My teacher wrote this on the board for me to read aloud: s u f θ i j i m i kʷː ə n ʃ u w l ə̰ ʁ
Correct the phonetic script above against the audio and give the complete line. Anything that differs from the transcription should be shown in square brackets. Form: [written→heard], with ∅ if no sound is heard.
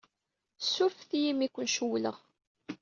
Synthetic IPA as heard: s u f θ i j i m i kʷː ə n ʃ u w l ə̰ ʁ